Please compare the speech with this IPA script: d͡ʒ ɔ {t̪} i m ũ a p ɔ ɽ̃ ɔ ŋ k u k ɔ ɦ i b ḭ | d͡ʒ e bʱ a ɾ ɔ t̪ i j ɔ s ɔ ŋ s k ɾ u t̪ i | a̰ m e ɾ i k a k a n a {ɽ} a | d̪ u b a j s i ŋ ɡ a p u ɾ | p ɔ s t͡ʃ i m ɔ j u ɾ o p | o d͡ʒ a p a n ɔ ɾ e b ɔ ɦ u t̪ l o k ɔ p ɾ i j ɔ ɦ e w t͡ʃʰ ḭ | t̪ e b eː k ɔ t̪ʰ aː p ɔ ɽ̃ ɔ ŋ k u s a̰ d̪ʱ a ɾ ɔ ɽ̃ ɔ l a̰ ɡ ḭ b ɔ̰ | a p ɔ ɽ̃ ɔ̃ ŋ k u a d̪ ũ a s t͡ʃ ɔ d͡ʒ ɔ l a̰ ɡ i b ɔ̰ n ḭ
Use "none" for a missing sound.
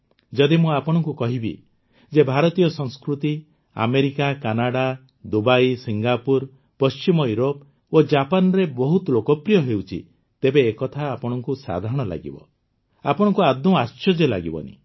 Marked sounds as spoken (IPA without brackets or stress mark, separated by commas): d̪, ɽ